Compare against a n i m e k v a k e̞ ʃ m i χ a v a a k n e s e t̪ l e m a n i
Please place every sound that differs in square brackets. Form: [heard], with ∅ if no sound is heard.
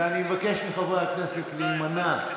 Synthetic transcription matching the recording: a n i m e [∅] v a k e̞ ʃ m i χ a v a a k n e s e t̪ l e m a n [a]